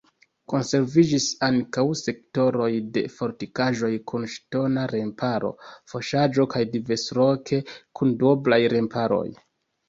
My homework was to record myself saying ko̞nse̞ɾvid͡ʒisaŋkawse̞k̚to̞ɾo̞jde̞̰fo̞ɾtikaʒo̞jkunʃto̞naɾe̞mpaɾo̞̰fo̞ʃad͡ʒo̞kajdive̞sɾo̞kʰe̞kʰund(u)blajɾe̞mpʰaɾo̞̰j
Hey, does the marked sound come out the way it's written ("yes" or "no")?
no